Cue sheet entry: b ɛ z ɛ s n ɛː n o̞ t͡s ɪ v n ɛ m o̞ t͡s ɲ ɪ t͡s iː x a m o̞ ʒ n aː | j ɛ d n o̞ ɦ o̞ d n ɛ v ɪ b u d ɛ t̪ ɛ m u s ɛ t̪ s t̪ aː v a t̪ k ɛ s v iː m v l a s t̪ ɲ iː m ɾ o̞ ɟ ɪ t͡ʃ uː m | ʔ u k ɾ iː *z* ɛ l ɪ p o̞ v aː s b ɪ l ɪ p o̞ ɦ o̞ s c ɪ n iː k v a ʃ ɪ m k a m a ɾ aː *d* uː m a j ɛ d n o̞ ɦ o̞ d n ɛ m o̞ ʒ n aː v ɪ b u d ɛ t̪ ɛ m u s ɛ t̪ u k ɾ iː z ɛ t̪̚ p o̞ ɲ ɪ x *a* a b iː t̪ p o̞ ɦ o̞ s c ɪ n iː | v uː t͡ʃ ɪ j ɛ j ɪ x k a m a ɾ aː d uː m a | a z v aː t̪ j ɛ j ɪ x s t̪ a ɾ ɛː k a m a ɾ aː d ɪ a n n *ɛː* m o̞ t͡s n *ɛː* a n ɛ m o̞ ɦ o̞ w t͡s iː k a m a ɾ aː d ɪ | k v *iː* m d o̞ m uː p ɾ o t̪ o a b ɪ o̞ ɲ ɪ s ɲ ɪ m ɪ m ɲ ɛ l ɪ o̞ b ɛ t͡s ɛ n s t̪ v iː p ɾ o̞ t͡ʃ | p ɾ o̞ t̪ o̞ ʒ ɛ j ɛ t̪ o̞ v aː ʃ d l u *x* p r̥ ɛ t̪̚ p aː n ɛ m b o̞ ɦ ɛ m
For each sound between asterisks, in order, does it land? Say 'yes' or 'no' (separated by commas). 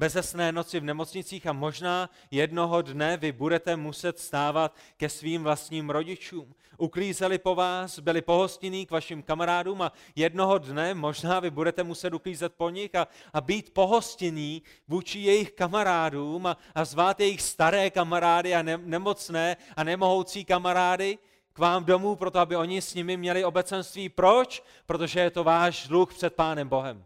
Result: yes, yes, yes, no, yes, no, yes